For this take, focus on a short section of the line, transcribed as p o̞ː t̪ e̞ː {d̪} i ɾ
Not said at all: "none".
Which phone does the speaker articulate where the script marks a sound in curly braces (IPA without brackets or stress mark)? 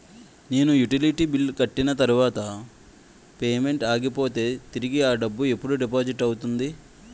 t̪